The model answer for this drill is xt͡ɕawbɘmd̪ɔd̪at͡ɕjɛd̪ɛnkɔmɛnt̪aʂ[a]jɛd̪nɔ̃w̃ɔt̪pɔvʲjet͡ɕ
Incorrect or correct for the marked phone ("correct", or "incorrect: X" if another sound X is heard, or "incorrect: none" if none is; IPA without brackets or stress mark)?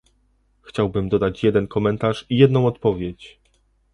incorrect: i